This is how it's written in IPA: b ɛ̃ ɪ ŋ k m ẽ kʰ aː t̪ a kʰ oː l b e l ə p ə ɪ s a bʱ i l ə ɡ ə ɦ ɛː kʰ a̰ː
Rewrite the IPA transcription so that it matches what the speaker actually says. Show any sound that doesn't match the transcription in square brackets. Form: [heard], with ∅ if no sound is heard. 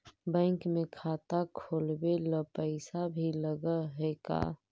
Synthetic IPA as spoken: b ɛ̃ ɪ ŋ k m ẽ kʰ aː t̪ a kʰ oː l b e l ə p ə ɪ s a bʱ i l ə ɡ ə ɦ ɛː [k] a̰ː